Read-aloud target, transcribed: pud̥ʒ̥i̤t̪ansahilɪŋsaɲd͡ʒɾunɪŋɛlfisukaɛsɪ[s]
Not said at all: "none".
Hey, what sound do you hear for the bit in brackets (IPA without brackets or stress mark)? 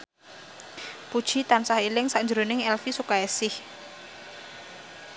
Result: h